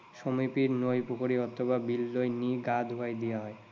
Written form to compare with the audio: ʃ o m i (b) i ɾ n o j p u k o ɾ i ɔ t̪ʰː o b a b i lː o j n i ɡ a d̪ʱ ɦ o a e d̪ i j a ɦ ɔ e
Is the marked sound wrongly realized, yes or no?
yes